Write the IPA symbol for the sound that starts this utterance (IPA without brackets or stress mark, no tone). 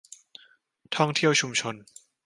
t̪ʰ